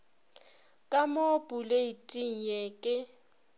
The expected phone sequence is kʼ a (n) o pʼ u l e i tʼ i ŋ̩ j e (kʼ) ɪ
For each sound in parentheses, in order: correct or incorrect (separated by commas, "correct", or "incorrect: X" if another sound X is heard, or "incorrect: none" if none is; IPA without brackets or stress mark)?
incorrect: m, correct